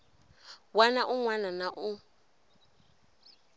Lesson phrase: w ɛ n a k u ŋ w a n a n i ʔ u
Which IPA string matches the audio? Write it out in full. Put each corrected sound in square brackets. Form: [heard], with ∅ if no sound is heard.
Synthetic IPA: w [a] n a [ʔ] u ŋ w a n a n [a] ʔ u

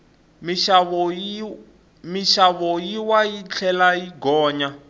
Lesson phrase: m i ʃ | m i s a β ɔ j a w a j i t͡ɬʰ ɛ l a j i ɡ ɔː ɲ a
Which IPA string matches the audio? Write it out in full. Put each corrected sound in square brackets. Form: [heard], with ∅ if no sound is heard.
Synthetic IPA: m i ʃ | m i [ʃ] a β ɔ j [i] w a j i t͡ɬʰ ɛ l a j i ɡ ɔː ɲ a

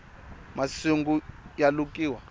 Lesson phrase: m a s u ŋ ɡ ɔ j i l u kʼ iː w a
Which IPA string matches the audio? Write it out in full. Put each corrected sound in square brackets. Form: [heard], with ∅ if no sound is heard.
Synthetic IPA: m a s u ŋ ɡ [u] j [a] l u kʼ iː w a

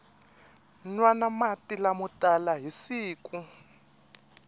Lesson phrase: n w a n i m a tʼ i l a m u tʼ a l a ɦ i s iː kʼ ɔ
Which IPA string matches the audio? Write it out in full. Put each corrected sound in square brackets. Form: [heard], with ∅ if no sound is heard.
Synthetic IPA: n w a n [a] m a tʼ i l a m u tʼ a l a ɦ i s iː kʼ [u]

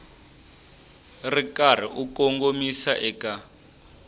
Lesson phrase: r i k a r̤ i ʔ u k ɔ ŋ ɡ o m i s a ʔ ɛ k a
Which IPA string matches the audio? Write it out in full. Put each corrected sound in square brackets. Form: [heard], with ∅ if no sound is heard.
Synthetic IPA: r i k a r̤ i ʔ u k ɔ ŋ ɡ o m i s a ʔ ɛ k a

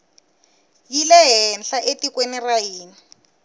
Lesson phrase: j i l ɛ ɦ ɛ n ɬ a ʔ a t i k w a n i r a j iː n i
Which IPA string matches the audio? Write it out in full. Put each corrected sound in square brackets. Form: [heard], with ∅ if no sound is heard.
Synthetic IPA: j i l ɛ ɦ ɛ n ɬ a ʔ [e] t i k w [e] n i r a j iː n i

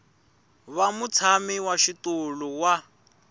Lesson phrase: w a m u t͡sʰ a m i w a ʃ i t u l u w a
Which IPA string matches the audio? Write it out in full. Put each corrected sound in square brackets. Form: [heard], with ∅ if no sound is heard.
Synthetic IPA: [β] a m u t͡sʰ a m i w a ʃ i t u l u w a

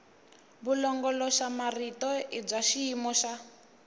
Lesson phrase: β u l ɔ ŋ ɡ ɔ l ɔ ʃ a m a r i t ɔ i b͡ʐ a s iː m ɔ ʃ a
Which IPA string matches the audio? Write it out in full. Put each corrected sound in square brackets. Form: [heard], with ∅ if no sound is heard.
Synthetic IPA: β u l ɔ ŋ ɡ ɔ l ɔ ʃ a m a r i t ɔ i b͡ʐ a [ʃ] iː m ɔ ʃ a

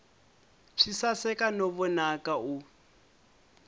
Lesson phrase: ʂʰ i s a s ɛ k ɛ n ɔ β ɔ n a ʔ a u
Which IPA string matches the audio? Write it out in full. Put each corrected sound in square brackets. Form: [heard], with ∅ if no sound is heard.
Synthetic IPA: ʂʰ i s a s ɛ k [a] n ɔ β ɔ n a [k] a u

